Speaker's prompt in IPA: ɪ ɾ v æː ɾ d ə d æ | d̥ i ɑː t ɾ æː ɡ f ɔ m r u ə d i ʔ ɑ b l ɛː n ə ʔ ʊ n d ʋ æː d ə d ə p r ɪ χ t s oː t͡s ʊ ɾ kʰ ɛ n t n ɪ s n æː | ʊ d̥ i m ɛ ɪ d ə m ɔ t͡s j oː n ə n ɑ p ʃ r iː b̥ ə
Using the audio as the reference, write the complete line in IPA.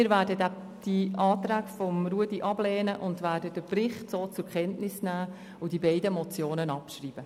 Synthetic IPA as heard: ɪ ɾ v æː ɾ d ə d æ | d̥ i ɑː t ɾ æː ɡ f ɔ m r u ə d i ʔ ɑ b l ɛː n ə ʔ ʊ n d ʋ æː d ə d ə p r ɪ χ t s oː t͡s ʊ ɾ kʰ ɛ n t n ɪ s n æː | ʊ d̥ i b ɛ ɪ d ə m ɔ t͡s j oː n ə n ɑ p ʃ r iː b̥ ə